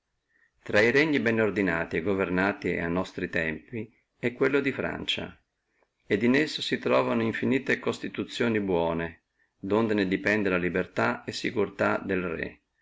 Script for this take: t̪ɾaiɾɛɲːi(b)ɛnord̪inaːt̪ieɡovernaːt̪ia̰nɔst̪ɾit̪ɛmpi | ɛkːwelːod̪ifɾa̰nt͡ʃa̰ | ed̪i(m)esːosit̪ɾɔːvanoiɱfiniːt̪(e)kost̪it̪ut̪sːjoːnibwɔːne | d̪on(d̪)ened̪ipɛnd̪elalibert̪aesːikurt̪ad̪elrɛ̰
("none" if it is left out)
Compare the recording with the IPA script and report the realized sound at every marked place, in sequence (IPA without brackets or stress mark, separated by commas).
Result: b, n, e, d̪